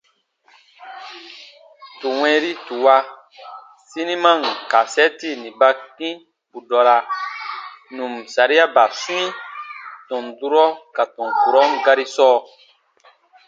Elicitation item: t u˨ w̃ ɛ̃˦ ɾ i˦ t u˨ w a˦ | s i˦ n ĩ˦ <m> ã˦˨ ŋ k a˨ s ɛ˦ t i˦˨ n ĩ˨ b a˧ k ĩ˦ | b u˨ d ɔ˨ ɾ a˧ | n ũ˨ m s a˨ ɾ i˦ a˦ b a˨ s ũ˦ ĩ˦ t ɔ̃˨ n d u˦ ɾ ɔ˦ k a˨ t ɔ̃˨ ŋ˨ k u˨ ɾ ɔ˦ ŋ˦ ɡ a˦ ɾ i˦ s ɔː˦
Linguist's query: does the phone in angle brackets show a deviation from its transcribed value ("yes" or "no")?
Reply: no